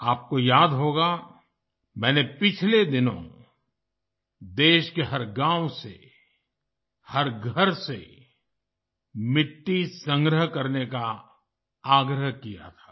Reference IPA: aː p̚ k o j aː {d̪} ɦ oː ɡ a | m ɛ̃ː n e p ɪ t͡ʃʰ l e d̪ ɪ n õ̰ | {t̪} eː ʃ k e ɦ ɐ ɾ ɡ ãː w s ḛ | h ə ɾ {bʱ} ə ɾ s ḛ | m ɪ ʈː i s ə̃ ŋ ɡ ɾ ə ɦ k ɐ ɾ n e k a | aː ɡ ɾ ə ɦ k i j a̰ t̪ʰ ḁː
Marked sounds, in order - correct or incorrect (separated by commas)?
correct, incorrect, incorrect